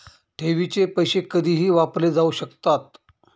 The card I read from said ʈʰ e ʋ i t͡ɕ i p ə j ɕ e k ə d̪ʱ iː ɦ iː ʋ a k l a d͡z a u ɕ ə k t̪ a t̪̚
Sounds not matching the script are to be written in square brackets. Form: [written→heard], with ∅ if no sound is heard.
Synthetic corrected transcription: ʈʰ e ʋ i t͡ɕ [i→e] p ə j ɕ e k ə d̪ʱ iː ɦ iː ʋ a [k→p] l [a→e] d͡z a u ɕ ə k t̪ a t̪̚